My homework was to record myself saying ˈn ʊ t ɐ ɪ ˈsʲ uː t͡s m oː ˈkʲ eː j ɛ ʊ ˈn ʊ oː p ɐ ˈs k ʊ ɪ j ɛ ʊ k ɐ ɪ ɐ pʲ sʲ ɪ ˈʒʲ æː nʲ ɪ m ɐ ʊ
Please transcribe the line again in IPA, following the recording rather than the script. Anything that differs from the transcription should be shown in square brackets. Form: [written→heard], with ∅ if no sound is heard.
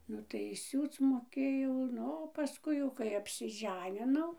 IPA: ˈn ʊ t ɐ ɪ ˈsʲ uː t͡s m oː ˈkʲ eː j ɛ ʊ ˈn ʊ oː p ɐ ˈs k ʊ ɪ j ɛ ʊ k ɐ ɪ ɐ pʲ sʲ ɪ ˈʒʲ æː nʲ ɪ [m→n] ɐ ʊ